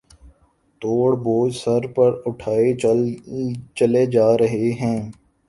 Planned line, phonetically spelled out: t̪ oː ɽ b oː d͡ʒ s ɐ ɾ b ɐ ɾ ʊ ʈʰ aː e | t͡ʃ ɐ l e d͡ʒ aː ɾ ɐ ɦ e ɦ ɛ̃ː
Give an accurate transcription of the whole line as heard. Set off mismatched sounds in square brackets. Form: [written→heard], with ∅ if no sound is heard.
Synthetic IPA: t̪ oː ɽ b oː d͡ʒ s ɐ ɾ [b→p] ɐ ɾ ʊ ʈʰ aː e | t͡ʃ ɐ l e d͡ʒ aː ɾ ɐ ɦ e ɦ ɛ̃ː